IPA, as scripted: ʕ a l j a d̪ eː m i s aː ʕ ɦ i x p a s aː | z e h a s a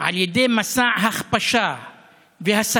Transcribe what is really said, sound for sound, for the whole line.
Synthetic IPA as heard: ʕ a l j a d̪ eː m a s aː ʕ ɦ a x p a ʃ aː | v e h a s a